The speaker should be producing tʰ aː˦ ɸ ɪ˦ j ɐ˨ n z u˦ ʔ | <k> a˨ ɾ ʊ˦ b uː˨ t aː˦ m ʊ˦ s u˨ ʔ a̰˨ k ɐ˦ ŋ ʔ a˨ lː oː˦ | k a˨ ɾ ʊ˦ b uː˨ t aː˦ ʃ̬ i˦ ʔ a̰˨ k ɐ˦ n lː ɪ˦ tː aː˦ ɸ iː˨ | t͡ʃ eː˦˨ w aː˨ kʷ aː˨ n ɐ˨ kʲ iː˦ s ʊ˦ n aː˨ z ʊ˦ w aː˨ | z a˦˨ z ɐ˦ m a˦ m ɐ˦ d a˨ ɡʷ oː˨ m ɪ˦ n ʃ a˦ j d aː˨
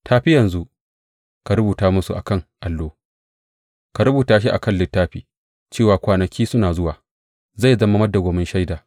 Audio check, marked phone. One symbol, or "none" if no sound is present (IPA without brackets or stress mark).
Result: k